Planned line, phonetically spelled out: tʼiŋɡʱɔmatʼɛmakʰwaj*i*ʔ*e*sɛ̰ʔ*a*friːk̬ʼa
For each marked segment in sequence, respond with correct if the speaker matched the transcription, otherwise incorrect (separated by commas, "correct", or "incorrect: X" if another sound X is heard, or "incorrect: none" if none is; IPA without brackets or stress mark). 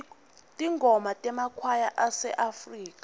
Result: incorrect: a, incorrect: a, correct